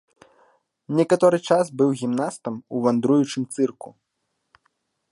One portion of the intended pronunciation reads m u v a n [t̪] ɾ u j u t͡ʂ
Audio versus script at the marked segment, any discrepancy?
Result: yes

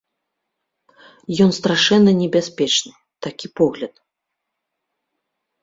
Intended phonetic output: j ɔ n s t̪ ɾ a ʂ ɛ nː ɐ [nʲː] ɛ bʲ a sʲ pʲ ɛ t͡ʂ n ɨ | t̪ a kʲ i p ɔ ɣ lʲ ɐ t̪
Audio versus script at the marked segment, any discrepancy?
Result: yes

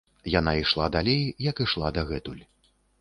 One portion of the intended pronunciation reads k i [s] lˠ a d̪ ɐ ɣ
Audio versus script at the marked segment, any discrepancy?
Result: yes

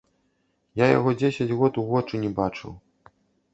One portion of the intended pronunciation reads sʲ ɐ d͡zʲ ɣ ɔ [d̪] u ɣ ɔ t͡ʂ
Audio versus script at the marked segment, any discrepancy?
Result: yes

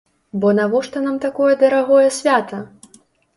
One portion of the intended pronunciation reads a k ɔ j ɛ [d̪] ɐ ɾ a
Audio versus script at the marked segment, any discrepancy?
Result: no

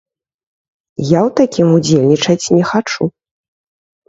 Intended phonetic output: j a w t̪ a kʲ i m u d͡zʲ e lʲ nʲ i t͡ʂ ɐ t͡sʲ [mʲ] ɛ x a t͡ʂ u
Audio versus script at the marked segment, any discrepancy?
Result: yes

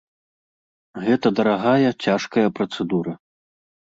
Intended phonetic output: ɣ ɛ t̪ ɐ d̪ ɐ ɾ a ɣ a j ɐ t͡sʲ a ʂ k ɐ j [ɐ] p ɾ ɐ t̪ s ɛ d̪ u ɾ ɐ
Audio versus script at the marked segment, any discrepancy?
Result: no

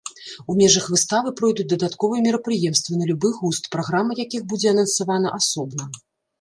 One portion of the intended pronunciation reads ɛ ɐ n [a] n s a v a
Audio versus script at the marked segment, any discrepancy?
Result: yes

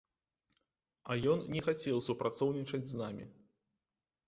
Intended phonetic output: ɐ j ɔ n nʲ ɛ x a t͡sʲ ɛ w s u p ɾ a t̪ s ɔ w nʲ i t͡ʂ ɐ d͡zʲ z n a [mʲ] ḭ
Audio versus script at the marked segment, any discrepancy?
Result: no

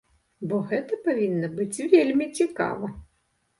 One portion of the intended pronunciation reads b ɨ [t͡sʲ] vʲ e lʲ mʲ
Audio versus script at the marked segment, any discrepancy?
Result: no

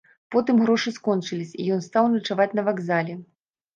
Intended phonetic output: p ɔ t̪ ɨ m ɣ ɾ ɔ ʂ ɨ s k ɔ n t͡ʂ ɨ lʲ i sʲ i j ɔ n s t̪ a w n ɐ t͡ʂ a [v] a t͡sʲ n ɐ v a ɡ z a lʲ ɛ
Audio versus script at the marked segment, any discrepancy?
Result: no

